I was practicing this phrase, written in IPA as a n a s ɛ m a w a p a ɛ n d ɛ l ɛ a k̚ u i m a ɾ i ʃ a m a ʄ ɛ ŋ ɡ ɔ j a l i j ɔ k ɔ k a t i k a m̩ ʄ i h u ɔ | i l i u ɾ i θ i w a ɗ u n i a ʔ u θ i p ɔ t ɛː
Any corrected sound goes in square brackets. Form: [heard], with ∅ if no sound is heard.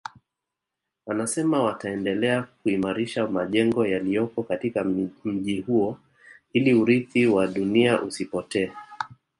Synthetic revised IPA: a n a s ɛ m a w a [t] a ɛ n d ɛ l ɛ a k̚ u i m a ɾ i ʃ a m a ʄ ɛ ŋ ɡ ɔ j a l i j ɔ k ɔ k a t i k a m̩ ʄ i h u ɔ | i l i u ɾ i θ i w a ɗ u n i a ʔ u [s] i p ɔ t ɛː